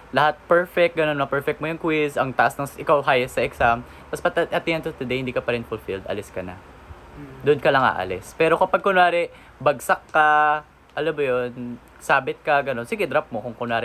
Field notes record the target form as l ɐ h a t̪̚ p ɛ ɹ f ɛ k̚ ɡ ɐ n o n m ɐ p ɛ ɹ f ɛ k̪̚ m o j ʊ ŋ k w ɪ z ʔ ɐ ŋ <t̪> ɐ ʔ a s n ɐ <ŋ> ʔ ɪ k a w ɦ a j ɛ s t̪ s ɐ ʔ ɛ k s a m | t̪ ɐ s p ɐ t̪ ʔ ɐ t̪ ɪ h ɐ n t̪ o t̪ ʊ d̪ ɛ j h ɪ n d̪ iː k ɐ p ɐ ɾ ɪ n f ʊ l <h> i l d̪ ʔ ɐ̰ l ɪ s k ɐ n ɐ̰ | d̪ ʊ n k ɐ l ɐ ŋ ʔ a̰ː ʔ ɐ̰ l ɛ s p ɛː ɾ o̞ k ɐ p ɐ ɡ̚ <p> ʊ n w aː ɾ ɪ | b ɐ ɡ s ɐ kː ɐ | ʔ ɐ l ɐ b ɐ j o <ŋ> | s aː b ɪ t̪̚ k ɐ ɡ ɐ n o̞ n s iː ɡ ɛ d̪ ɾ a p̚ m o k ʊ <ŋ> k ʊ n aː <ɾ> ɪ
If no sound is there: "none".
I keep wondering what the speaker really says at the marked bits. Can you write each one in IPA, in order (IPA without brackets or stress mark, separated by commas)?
t̪, ŋ, f, k, n, ŋ, ɾ